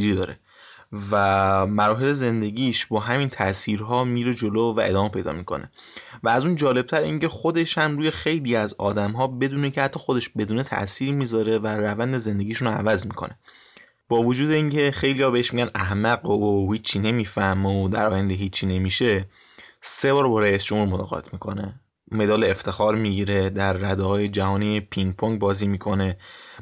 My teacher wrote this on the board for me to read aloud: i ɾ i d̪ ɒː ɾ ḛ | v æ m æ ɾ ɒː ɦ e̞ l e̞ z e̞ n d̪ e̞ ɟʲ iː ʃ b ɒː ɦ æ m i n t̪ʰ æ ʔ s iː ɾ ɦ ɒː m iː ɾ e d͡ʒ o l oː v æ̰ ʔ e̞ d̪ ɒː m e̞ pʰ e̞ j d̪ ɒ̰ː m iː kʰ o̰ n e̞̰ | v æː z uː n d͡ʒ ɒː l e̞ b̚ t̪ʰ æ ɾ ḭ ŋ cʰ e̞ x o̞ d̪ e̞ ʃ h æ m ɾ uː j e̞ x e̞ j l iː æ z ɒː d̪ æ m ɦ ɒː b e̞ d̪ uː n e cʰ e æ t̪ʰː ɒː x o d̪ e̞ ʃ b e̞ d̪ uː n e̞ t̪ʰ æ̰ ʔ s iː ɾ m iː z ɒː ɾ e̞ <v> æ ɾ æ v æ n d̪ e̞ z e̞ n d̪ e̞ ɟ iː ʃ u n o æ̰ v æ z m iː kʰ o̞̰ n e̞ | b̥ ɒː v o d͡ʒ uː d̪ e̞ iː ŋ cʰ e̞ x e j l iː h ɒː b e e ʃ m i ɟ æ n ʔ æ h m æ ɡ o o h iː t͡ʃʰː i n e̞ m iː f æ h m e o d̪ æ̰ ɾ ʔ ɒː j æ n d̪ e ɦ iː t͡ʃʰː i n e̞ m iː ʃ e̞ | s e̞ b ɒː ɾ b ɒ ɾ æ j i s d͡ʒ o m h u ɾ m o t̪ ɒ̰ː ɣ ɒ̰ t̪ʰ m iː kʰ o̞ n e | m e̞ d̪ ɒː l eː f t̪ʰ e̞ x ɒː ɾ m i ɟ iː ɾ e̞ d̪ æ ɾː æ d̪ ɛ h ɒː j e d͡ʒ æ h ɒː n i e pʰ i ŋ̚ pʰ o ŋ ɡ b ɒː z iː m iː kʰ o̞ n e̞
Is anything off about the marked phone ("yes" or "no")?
no